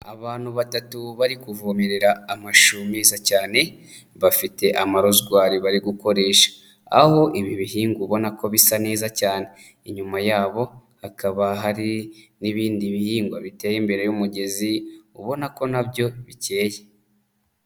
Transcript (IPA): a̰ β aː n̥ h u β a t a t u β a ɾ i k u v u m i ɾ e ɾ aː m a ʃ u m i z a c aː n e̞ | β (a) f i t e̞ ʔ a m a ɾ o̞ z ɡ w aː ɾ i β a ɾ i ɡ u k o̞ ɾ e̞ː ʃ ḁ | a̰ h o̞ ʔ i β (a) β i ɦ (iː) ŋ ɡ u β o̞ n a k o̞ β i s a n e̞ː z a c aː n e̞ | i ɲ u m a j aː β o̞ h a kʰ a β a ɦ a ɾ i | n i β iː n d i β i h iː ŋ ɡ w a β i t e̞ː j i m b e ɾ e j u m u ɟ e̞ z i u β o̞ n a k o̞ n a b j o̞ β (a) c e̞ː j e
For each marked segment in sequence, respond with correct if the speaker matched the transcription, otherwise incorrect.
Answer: correct, incorrect: i, correct, incorrect: i

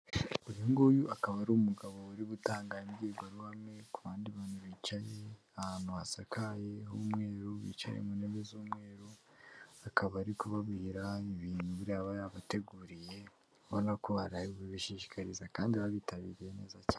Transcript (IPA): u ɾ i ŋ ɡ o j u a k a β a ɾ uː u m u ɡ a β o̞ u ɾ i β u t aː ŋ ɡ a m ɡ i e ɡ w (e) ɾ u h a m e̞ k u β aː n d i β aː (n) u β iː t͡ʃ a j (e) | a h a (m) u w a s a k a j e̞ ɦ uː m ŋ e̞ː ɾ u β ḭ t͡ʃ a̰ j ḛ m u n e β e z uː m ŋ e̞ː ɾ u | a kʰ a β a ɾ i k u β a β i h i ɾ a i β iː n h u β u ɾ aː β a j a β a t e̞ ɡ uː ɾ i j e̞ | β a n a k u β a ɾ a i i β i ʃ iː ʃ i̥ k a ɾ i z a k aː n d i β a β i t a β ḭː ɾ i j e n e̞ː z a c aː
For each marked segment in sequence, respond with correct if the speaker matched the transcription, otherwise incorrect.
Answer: incorrect: a, correct, correct, incorrect: n

